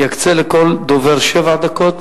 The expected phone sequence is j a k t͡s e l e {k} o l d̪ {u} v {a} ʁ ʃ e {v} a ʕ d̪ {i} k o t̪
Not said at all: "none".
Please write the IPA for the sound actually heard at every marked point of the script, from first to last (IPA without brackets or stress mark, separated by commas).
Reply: k, o, e, v, a